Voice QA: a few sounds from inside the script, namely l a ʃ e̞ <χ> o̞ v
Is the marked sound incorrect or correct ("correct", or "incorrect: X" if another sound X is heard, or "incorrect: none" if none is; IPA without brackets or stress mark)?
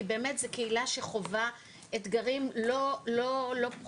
correct